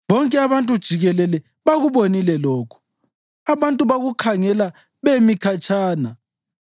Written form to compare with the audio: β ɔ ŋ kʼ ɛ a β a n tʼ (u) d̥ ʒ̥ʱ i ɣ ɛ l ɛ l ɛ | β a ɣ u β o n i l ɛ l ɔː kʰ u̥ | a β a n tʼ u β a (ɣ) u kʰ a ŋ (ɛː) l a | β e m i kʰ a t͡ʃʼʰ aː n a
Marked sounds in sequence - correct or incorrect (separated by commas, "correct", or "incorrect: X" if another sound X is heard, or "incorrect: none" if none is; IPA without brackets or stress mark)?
correct, correct, incorrect: ɛ